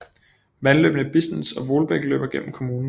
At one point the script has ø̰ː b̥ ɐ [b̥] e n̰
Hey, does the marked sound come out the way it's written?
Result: no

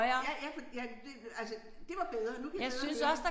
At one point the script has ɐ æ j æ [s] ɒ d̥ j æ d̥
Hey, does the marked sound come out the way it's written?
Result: no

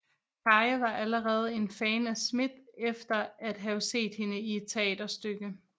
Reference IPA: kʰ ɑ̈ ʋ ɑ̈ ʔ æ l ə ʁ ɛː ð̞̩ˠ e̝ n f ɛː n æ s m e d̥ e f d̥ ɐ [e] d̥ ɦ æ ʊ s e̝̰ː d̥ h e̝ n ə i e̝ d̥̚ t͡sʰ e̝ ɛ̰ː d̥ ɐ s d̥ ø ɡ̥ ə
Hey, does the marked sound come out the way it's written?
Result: no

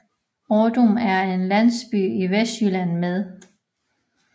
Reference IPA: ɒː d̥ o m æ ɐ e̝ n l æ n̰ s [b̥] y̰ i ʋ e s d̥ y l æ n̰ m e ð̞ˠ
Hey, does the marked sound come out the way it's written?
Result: yes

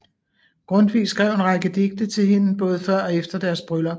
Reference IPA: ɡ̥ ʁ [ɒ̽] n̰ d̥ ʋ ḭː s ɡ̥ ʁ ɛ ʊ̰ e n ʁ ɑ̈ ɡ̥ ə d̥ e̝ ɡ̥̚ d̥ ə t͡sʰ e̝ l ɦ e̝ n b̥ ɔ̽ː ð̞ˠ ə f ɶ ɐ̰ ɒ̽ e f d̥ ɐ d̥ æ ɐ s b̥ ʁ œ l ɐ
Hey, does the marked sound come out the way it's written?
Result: no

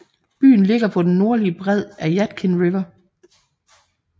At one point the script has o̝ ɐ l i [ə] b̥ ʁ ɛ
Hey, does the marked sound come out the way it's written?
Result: yes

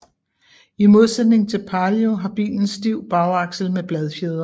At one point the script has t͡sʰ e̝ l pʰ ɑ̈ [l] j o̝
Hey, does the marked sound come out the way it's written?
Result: yes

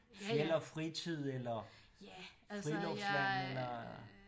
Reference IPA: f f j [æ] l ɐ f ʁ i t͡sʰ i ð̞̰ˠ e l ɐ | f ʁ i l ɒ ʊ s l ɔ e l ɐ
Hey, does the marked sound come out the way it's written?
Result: no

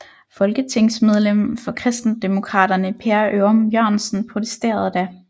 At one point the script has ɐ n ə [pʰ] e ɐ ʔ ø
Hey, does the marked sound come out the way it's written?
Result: yes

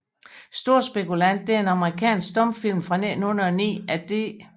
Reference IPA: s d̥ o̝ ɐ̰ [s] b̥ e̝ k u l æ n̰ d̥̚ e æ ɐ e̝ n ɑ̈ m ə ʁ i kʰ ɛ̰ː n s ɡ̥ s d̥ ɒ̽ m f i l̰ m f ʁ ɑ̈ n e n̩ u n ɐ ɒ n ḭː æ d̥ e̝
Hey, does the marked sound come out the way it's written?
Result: yes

